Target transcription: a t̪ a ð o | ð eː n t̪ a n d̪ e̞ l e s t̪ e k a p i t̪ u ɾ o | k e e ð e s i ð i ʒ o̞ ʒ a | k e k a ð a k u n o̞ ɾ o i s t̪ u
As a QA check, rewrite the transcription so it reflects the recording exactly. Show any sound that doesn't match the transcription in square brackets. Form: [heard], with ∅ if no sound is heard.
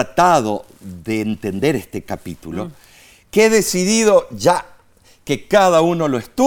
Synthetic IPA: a t̪ a ð o | ð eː n t̪ [e] n d̪ e̞ [ɾ] e s t̪ e k a p i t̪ u [l] o | k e e ð e s i ð i [ð] o̞ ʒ a | k e k a ð a [∅] u n o̞ [l] o [e] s t̪ u